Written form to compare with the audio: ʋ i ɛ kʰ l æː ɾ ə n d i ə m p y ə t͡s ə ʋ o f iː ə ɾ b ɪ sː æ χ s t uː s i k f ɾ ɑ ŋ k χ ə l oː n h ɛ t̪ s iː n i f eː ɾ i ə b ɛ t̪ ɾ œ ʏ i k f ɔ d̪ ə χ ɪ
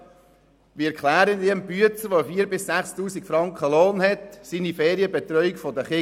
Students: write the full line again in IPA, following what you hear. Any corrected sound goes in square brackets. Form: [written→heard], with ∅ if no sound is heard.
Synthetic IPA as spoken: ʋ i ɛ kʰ l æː ɾ ə n d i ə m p y ə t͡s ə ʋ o f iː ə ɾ b ɪ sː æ χ s t uː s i k f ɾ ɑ ŋ k χ ə l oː n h ɛ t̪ s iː n i f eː ɾ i ə b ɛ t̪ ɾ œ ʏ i k f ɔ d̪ ə χ ɪ